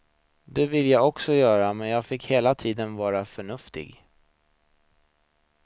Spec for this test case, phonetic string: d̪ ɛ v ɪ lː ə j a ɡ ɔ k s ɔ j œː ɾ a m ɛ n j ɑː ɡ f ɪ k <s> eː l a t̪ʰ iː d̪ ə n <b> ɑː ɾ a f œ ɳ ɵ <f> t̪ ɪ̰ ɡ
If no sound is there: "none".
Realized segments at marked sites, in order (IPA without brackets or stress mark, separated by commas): h, v, f